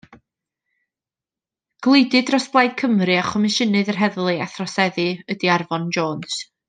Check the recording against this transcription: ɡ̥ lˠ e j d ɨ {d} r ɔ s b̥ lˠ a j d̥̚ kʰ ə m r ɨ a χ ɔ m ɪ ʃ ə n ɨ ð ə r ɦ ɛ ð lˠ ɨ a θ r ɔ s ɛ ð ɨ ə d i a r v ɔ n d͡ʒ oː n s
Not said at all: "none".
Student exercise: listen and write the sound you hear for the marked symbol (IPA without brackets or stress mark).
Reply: d